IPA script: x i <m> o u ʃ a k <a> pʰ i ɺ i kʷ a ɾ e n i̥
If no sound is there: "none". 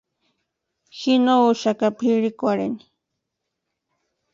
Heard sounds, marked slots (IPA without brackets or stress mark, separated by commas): n, a